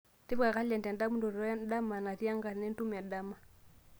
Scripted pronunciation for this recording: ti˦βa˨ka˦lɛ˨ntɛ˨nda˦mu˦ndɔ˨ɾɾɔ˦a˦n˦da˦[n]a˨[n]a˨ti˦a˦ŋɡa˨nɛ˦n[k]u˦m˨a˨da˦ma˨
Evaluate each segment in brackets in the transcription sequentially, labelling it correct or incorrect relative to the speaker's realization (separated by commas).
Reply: incorrect, correct, incorrect